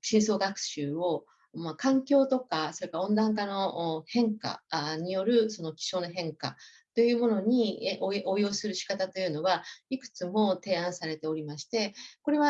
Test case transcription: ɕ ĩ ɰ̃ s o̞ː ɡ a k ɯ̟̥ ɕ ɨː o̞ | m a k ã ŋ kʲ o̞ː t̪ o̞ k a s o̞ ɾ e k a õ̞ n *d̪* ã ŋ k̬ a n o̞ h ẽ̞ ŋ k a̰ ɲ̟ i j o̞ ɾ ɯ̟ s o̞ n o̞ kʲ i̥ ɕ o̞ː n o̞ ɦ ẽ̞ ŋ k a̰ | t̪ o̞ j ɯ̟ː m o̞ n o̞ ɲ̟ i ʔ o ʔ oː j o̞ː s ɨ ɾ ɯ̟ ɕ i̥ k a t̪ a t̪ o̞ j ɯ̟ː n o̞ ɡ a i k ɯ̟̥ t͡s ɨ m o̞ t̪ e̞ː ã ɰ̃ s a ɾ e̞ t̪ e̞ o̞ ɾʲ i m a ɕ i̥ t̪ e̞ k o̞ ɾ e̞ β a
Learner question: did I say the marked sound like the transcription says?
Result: yes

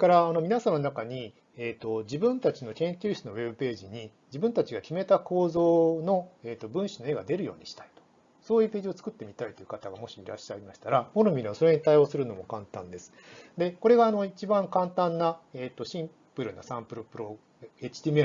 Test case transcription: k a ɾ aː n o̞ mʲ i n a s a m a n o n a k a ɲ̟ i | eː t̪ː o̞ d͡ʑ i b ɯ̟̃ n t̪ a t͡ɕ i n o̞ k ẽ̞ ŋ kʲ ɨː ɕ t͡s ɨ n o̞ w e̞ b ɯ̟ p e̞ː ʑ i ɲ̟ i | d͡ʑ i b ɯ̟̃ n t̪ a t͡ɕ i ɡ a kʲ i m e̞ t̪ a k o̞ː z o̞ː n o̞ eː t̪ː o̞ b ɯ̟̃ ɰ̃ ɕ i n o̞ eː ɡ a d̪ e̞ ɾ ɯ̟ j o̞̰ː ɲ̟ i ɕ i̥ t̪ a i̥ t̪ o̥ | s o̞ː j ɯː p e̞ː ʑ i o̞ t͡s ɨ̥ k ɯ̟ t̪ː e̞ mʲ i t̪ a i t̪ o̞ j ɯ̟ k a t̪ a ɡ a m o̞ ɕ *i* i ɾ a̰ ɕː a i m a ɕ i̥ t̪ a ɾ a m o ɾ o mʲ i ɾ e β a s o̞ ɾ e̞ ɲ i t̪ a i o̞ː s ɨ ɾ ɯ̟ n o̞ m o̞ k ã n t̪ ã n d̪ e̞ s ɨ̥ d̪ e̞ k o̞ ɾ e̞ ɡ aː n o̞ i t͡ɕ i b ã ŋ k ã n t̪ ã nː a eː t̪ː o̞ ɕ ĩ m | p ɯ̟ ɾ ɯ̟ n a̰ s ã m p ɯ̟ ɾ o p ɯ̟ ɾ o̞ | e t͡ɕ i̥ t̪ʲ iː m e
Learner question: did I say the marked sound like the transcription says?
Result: yes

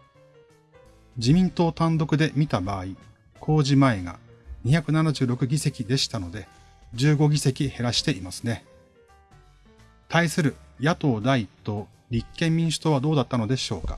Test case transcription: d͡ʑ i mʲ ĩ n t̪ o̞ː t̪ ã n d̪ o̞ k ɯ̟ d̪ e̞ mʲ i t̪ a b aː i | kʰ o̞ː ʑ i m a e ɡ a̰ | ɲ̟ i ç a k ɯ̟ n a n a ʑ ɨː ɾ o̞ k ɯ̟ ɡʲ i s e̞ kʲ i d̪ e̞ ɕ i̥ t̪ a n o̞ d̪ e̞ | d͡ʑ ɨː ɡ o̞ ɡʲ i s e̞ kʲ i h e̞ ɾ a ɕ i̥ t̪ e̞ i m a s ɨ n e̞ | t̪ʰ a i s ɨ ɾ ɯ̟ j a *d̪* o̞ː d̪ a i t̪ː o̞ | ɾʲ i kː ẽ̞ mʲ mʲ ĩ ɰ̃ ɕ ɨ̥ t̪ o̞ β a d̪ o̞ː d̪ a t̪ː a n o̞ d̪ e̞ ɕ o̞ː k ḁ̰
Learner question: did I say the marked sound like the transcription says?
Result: no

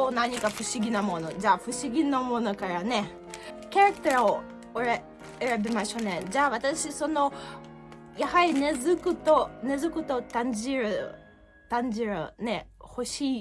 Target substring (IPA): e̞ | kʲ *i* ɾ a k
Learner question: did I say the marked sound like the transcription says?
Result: no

